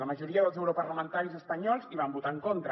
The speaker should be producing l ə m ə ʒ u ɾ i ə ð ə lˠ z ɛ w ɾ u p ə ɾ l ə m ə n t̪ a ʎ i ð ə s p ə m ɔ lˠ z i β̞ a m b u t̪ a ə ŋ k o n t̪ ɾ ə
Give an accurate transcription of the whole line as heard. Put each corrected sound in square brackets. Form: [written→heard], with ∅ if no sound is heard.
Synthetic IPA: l ə m ə ʒ u ɾ i ə ð ə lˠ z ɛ w ɾ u p ə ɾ l ə m ə n t̪ a [ʎ→ɾ] i [ð→z] ə s p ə [m→ɲ] ɔ lˠ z i β̞ a m b u t̪ a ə ŋ k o n t̪ ɾ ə